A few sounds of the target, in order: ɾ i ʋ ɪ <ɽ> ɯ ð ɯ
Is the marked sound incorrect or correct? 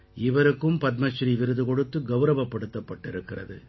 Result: incorrect